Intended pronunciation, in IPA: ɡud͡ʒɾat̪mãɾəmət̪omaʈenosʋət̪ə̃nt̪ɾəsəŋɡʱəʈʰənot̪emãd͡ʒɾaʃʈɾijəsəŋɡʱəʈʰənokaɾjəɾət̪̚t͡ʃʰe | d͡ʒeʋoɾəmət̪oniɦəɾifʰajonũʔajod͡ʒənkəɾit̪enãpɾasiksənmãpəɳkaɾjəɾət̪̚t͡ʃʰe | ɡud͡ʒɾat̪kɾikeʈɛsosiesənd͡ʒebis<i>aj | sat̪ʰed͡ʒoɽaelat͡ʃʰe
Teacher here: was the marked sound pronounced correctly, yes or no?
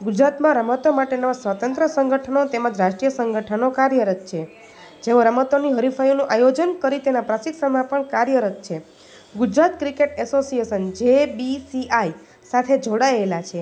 yes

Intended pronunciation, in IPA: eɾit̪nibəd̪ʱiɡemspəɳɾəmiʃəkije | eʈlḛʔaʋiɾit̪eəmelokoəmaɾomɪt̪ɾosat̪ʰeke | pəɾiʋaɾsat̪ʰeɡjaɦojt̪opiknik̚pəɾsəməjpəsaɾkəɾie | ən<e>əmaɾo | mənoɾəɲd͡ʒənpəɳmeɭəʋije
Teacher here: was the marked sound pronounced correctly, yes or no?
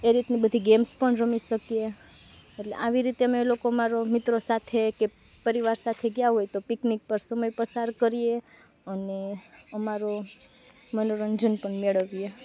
yes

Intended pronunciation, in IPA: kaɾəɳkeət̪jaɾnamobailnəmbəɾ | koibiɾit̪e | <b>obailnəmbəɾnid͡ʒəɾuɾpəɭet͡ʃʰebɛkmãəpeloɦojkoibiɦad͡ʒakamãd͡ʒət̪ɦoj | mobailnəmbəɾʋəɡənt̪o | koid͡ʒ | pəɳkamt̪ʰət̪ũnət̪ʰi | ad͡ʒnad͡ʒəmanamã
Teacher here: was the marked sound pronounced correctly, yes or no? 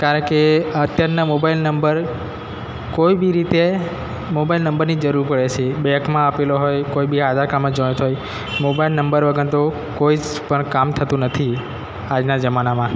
no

